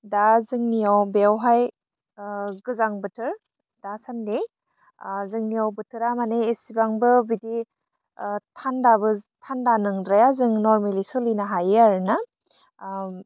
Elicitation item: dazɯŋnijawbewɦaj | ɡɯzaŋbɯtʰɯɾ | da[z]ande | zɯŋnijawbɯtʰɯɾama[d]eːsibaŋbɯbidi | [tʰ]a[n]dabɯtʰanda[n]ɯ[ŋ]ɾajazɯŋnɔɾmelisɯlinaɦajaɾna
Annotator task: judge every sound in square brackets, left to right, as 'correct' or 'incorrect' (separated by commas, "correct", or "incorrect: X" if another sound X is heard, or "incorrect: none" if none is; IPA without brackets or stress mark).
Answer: incorrect: s, incorrect: n, correct, correct, correct, correct